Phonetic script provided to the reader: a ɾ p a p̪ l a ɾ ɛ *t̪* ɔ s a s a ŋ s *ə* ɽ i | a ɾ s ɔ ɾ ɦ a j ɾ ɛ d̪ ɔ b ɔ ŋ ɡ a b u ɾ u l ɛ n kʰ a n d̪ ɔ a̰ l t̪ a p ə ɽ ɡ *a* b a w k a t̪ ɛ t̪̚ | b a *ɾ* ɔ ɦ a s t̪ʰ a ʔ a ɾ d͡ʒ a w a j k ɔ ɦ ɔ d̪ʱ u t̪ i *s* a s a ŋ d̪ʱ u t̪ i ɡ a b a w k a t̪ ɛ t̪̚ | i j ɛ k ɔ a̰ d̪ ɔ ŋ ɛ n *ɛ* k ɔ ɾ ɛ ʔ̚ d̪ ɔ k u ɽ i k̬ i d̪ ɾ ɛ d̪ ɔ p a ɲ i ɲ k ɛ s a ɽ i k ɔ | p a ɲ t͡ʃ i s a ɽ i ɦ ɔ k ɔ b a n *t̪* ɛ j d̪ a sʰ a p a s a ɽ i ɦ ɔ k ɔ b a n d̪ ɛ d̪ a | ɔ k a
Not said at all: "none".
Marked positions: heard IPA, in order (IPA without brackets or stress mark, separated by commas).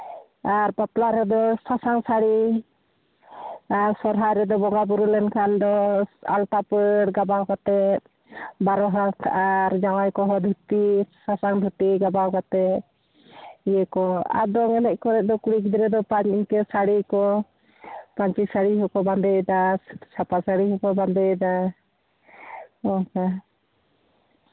d̪, a, a, ɾ, s, ɛ, d̪